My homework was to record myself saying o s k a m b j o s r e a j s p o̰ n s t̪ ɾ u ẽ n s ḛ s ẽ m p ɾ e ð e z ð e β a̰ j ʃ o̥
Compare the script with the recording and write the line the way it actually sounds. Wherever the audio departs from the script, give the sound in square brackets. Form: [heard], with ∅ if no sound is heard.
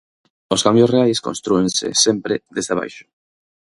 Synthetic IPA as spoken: o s k a m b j o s r e a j s [k] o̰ n s t̪ ɾ u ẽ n s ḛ s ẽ m p ɾ e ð e z ð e β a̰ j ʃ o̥